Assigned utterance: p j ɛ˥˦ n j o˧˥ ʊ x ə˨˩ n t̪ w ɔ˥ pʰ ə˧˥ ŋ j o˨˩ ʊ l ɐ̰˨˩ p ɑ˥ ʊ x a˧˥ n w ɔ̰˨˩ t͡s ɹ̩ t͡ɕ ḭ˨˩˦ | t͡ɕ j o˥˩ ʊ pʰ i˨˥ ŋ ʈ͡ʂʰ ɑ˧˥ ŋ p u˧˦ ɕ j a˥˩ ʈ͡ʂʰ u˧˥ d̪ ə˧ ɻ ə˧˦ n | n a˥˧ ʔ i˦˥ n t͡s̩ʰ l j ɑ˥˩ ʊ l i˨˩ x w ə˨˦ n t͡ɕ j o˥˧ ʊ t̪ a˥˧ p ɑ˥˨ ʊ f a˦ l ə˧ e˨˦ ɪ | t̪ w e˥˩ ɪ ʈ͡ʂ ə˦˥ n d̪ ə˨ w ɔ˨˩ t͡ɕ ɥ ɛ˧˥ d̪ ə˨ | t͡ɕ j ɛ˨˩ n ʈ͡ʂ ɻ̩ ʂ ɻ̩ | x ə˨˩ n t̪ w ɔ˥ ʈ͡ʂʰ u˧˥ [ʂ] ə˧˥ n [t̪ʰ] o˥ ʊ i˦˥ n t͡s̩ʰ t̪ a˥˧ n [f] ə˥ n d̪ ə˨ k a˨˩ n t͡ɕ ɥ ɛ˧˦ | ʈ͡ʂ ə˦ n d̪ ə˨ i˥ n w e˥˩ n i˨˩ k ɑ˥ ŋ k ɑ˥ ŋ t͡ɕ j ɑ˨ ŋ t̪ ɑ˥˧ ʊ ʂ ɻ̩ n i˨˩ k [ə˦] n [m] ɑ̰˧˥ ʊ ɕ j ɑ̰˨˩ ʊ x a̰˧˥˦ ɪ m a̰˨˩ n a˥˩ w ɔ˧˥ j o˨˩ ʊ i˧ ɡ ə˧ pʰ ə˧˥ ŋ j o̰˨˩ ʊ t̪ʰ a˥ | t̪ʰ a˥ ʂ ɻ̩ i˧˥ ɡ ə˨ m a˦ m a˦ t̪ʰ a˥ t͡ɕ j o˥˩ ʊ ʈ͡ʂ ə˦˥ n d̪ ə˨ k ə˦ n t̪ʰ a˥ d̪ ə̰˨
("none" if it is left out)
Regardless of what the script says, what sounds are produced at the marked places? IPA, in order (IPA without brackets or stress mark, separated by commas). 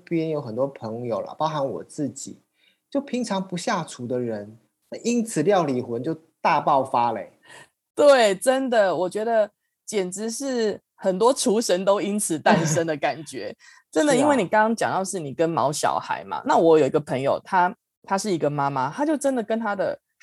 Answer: ʂ, t̪, ʂ, ə˦, m